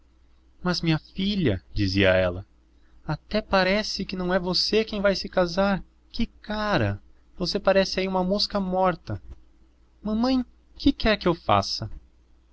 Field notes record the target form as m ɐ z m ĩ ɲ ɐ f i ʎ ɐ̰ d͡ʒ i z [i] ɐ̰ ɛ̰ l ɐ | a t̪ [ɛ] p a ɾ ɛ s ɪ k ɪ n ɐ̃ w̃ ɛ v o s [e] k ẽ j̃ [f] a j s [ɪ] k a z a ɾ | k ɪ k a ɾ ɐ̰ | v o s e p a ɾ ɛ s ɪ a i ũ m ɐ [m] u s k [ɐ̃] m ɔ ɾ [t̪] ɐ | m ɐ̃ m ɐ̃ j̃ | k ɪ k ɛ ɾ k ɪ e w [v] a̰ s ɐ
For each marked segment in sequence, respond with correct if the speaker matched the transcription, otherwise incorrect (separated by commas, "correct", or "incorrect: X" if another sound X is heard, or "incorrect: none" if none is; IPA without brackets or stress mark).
correct, correct, correct, incorrect: v, correct, correct, incorrect: ɐ, correct, incorrect: f